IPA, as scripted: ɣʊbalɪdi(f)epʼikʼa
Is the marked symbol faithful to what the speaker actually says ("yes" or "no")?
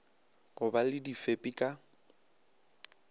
yes